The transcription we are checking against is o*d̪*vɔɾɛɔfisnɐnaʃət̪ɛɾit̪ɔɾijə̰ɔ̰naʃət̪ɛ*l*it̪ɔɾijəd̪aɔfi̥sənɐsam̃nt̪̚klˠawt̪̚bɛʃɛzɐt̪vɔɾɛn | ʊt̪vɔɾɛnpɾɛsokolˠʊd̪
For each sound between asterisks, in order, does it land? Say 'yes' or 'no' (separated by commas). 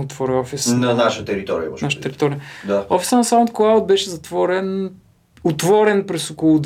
no, no